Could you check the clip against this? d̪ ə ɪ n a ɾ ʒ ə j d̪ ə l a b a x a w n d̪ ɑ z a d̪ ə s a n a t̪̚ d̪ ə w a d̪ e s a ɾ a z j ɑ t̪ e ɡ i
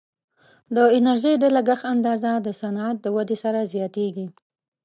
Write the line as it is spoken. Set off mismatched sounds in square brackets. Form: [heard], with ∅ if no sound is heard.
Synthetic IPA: d̪ ə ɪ n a ɾ ʒ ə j d̪ ə l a [ɡ] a x a [∅] n d̪ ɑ z a d̪ ə s a n a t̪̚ d̪ ə w a d̪ e s a ɾ a z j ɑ t̪ e ɡ i